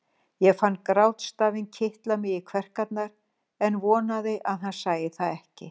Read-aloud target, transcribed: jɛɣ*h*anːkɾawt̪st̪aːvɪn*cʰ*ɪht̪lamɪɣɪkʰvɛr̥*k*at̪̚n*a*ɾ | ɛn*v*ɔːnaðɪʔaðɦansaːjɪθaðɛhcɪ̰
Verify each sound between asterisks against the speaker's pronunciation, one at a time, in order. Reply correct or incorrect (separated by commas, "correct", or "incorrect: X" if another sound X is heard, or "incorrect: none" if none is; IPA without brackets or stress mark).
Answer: incorrect: f, correct, correct, correct, correct